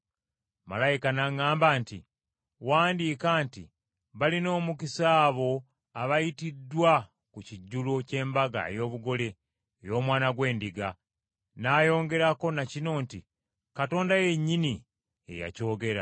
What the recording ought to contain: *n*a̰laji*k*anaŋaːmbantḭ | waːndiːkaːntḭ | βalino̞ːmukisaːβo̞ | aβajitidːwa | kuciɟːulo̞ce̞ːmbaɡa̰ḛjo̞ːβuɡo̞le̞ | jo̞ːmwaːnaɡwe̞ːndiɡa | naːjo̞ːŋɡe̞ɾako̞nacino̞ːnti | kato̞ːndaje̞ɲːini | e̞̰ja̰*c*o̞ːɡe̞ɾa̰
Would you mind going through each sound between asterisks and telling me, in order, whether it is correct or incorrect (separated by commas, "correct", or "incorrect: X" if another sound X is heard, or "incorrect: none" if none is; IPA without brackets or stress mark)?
incorrect: m, correct, correct